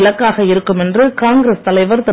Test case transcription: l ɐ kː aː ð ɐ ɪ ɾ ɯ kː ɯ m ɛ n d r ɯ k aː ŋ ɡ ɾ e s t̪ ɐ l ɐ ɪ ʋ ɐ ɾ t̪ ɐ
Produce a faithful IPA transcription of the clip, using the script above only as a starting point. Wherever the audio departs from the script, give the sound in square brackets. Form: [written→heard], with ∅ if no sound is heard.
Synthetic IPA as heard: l ɐ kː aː [ð→ɣ] ɐ ɪ ɾ ɯ kː ɯ m ɛ n d r ɯ k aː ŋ ɡ ɾ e s t̪ ɐ l ɐ ɪ ʋ ɐ ɾ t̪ ɐ